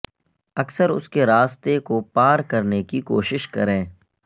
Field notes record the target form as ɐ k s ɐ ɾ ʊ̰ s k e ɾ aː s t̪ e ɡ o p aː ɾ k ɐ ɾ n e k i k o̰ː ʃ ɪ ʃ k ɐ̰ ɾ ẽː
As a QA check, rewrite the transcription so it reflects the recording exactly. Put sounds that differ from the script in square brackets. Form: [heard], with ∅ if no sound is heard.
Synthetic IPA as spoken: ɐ k s [ə] ɾ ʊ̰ s k e ɾ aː s t̪ e [k] o p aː ɾ k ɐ ɾ n e k i k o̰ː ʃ ɪ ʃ k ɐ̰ ɾ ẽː